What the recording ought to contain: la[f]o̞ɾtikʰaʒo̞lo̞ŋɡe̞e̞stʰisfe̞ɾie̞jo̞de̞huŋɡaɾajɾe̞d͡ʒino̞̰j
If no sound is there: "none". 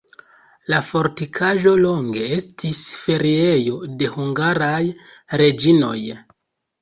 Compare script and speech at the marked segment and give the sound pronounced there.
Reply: f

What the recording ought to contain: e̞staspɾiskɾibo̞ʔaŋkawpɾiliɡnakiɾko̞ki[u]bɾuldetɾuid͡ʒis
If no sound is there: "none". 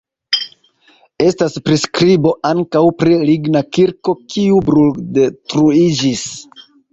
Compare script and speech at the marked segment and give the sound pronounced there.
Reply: u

